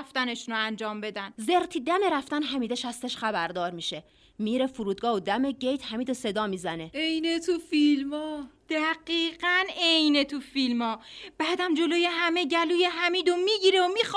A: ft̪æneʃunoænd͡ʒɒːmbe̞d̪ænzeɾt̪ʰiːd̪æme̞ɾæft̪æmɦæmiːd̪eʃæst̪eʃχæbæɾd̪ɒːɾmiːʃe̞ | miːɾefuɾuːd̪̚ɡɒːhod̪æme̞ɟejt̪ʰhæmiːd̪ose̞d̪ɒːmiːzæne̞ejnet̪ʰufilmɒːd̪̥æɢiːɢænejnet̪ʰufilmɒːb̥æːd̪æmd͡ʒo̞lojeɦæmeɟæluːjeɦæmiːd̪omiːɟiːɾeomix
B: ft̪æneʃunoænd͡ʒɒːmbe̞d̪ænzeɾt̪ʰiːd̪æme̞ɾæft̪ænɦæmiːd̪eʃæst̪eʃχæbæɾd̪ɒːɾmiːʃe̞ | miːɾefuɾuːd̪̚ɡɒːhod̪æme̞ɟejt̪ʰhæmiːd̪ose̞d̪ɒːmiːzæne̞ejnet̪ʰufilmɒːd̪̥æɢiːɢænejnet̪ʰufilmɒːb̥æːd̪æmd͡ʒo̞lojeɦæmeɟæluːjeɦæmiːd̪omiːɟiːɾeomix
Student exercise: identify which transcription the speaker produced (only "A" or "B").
B